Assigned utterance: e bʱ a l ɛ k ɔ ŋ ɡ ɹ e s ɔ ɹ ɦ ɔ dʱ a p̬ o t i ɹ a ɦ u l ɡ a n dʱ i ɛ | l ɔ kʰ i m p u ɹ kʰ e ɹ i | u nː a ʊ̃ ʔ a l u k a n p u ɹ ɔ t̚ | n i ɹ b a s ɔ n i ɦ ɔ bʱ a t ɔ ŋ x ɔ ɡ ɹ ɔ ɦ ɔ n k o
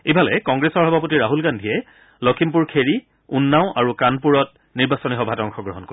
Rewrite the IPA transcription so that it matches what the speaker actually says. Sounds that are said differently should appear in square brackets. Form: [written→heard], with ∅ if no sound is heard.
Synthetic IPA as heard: e bʱ a l ɛ k ɔ ŋ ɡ ɹ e s ɔ ɹ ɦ ɔ [dʱ→bʱ] a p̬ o t i ɹ a ɦ u l ɡ a n dʱ i ɛ | l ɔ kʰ i m p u ɹ kʰ e ɹ i | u nː a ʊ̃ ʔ a [l→ɹ] u k a n p u ɹ ɔ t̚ | n i ɹ b a s ɔ n i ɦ ɔ bʱ a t ɔ ŋ x ɔ ɡ ɹ ɔ ɦ ɔ n k o

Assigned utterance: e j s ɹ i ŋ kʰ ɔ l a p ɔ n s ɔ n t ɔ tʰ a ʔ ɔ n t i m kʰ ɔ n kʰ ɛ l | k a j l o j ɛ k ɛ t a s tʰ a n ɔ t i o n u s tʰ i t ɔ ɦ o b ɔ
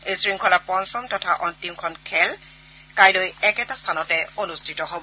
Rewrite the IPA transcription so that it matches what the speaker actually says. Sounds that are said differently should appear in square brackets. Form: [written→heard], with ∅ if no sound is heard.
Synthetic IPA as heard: e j s ɹ i ŋ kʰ ɔ l a p ɔ n s ɔ [n→m] t ɔ tʰ a ʔ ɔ n t i m kʰ ɔ n kʰ ɛ l | k a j l o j ɛ k ɛ t a s tʰ a n ɔ t [i→ɛ] o n u s tʰ i t ɔ ɦ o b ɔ

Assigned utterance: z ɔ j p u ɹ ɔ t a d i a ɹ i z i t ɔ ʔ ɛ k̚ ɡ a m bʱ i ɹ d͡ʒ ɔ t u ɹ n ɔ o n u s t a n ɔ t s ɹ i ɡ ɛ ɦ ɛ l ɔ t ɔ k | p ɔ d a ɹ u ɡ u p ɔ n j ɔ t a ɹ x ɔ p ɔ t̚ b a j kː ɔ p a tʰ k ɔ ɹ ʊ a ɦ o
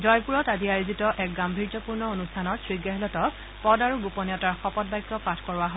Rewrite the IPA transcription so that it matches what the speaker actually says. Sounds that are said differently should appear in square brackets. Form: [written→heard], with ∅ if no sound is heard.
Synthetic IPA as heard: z ɔ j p u ɹ ɔ t a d i a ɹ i z i t ɔ ʔ ɛ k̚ ɡ a m bʱ i ɹ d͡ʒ ɔ [t→p] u ɹ n ɔ o n u s [t→tʰ] a n ɔ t s ɹ i ɡ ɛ ɦ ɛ l ɔ t ɔ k | p ɔ d a ɹ u ɡ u p ɔ n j ɔ t a ɹ x ɔ p ɔ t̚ b a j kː ɔ p a tʰ k ɔ ɹ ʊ a ɦ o

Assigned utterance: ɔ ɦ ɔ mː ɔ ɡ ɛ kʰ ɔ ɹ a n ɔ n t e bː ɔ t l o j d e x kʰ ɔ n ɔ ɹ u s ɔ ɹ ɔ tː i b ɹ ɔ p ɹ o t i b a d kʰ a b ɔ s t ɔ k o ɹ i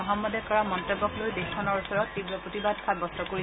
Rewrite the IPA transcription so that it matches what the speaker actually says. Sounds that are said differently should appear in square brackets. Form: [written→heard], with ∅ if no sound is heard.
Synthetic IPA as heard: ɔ ɦ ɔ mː ɔ [ɡ→d] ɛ [kʰ→k] ɔ ɹ a [n→m] ɔ n t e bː ɔ [t→k] l o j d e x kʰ ɔ n ɔ ɹ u s ɔ ɹ ɔ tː i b ɹ ɔ p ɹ o t i b a d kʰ a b ɔ s t ɔ k o ɹ i

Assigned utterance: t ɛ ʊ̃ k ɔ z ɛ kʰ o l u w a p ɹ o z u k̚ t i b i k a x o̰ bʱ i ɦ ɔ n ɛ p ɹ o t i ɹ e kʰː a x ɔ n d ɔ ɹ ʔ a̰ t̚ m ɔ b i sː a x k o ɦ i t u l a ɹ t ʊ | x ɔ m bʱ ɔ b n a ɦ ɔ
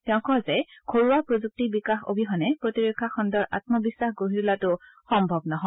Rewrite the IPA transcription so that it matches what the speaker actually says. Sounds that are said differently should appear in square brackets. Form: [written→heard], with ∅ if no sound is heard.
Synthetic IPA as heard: t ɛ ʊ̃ k ɔ z ɛ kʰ o [l→ɹ] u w a p ɹ o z u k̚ t i b i k a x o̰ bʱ i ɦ ɔ n ɛ p ɹ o t i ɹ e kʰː a x ɔ n d ɔ ɹ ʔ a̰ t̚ m ɔ b i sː a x [k→ɡ] o ɦ i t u l a [ɹ→∅] t ʊ | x ɔ m bʱ ɔ b n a ɦ ɔ

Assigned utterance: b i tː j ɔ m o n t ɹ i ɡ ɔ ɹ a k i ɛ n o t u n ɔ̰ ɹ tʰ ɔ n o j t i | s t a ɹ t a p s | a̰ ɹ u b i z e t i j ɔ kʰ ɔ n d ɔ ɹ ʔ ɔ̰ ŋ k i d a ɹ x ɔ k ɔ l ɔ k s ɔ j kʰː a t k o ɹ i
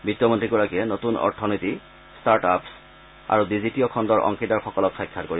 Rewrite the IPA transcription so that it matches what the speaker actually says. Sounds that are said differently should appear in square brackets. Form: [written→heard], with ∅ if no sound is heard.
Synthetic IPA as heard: b i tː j ɔ m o n t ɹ i ɡ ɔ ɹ a k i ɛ n o t u n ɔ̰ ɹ tʰ ɔ n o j t i | s t a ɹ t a p s | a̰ ɹ u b i z [e→i] t i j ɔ kʰ ɔ n d ɔ ɹ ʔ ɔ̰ ŋ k i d a ɹ x ɔ k ɔ l ɔ k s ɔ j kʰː a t k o ɹ i

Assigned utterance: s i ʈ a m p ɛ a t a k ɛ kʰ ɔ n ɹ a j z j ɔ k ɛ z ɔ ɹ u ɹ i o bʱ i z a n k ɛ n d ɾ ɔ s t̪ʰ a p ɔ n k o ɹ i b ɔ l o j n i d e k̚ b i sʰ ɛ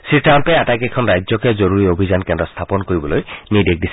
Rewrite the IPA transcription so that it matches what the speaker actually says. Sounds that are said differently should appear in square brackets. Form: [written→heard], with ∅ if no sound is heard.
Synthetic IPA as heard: s i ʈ a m p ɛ a t a k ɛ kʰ ɔ n ɹ a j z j ɔ k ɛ z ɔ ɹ u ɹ i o bʱ i z a n k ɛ n d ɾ ɔ s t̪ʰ a p ɔ n k o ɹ i b ɔ l o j n i d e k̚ [b→d] i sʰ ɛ

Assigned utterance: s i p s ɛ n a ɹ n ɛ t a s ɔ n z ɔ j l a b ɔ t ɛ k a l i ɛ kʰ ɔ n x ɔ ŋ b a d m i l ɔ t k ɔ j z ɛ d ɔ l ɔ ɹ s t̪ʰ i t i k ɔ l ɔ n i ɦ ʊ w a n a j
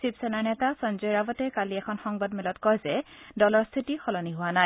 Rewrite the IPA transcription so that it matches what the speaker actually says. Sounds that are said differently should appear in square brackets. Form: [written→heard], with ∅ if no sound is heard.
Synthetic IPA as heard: s i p s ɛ n a ɹ n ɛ t a s ɔ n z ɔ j [l→ɹ] a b ɔ t ɛ k a l i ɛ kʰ ɔ n x ɔ ŋ b a d m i l ɔ t k ɔ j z ɛ d ɔ l ɔ ɹ s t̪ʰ i t i [k→x] ɔ l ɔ n i ɦ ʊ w a n a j

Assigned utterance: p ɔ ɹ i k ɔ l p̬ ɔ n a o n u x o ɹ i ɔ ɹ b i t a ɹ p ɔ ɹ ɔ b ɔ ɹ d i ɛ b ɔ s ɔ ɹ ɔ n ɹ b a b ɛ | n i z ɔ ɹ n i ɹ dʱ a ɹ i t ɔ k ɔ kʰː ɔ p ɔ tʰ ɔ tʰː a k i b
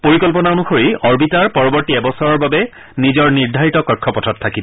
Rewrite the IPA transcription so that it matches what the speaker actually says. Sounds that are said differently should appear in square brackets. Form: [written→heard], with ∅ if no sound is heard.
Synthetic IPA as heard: p [ɔ→o] ɹ i k ɔ l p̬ ɔ n a o n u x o ɹ i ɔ ɹ b i t a ɹ p ɔ ɹ ɔ b ɔ ɹ [d→t] i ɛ b ɔ s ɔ ɹ ɔ [n→∅] ɹ b a b ɛ | n i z ɔ ɹ n i ɹ dʱ a ɹ i t ɔ k ɔ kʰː ɔ p ɔ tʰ ɔ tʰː a k i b

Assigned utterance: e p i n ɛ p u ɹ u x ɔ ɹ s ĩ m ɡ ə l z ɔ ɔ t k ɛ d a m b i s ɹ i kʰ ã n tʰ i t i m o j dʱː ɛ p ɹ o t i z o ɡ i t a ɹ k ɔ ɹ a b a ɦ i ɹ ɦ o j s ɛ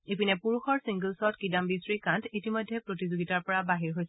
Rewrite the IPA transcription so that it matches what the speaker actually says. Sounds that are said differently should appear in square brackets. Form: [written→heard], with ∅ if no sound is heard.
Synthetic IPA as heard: e p i n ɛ p u ɹ u x ɔ ɹ s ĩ [m→ŋ] ɡ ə l [z→s] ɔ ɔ t k [ɛ→i] d a m b i s ɹ i [kʰ→k] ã n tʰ i t i m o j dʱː ɛ p ɹ o t i z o ɡ i t a ɹ [k→p] ɔ ɹ a b a ɦ i ɹ ɦ o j s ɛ

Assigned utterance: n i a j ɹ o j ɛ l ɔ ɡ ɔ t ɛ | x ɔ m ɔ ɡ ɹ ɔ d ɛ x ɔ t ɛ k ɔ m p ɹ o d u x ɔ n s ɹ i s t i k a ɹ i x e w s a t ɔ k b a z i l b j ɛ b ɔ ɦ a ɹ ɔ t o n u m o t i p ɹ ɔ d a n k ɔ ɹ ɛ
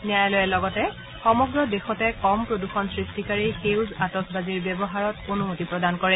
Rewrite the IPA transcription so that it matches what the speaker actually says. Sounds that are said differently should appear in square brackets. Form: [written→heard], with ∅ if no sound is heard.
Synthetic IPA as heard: n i a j [ɹ→l] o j ɛ l ɔ ɡ ɔ t ɛ | x ɔ m ɔ ɡ ɹ ɔ d [ɛ→e] x ɔ t ɛ k ɔ m p ɹ o d u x ɔ n s ɹ i s t i k a ɹ i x e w [s→z] a t ɔ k b a z i [l→ɹ] b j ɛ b ɔ ɦ a ɹ ɔ t o n u m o t i p ɹ ɔ d a n k ɔ ɹ ɛ

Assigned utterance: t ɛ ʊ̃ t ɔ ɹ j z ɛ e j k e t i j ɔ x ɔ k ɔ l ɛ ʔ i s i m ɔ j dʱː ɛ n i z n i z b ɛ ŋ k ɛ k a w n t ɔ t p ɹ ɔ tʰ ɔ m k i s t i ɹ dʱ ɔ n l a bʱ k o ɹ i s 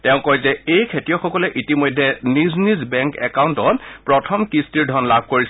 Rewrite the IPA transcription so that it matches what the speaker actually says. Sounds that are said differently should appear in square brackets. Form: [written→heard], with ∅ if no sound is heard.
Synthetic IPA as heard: t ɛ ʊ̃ [t→k] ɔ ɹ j z ɛ e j [k→kʰ] e t i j ɔ x ɔ k ɔ l ɛ ʔ i [s→t] i m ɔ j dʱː ɛ n i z n i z b ɛ ŋ k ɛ k a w n t ɔ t p ɹ ɔ tʰ ɔ m k i s t i ɹ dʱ ɔ n l a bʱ k o ɹ i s

